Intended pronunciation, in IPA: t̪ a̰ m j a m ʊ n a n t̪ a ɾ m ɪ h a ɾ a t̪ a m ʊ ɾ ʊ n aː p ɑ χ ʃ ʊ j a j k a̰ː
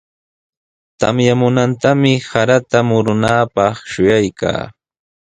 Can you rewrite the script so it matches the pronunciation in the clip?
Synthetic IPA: t̪ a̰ m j a m ʊ n a n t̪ a m ɪ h a ɾ a t̪ a m ʊ ɾ ʊ n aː p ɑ χ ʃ ʊ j a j k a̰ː